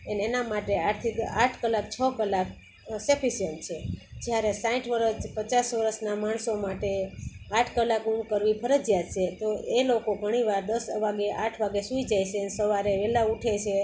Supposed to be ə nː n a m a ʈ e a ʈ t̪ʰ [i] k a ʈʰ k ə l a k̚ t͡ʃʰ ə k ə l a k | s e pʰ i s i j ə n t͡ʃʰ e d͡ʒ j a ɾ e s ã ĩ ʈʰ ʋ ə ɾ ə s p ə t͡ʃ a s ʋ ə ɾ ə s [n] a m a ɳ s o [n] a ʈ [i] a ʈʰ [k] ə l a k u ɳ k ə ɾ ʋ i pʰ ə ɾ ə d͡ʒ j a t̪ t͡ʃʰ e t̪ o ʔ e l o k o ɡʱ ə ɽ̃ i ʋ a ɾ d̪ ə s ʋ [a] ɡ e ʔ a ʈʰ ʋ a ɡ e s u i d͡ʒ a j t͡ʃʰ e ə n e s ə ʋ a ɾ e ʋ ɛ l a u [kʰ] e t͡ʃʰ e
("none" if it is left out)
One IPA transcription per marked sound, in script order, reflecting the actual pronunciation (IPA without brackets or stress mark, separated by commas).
i, n, m, e, k, a, ʈʰ